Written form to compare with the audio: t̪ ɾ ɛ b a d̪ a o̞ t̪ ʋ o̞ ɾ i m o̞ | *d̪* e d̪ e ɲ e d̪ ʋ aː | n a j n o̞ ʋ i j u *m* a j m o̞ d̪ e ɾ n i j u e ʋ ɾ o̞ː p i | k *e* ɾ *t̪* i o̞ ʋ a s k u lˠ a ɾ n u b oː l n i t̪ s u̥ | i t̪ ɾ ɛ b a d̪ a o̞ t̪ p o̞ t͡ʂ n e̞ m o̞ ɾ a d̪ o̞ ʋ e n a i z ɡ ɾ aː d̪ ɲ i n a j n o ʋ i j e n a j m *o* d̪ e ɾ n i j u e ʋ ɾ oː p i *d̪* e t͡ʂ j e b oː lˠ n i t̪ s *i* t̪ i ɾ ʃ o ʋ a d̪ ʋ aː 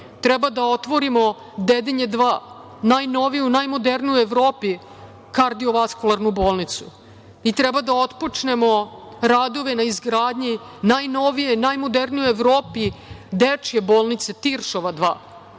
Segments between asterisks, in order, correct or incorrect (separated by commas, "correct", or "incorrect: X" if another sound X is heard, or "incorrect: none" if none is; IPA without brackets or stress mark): correct, incorrect: n, incorrect: a, incorrect: d̪, correct, correct, incorrect: e